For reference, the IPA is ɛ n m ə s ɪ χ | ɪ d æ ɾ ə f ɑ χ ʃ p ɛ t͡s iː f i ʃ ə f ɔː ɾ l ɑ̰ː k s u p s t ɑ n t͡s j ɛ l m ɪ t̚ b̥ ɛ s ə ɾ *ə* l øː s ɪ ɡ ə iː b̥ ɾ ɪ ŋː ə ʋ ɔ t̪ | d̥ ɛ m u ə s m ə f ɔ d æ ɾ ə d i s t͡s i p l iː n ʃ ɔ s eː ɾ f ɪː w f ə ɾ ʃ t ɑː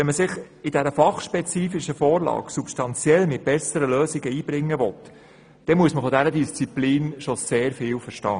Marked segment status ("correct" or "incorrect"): correct